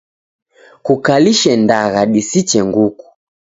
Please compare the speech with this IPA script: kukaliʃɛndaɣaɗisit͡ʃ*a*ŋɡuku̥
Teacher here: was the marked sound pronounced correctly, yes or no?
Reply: no